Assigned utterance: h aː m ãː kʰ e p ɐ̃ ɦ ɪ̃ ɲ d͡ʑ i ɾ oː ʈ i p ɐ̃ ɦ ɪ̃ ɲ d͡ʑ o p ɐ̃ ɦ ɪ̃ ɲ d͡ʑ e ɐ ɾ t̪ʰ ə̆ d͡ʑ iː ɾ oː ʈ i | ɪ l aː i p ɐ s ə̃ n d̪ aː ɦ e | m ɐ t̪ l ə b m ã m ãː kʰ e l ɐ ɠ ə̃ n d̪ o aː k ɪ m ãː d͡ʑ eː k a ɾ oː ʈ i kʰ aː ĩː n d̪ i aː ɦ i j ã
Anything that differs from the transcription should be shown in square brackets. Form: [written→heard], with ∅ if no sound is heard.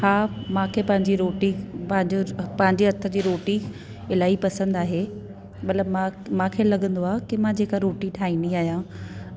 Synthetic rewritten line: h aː m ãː kʰ e p ɐ̃ ɦ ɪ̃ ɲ d͡ʑ i ɾ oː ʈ i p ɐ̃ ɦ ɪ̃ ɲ d͡ʑ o p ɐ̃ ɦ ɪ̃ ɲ d͡ʑ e ɐ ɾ t̪ʰ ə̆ d͡ʑ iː ɾ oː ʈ i | ɪ l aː i p ɐ s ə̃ n d̪ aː ɦ e | m ɐ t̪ l ə b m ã m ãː kʰ e l ɐ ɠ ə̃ n d̪ o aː k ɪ m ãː d͡ʑ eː k a ɾ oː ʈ i [kʰ→ʈʰ] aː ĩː n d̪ i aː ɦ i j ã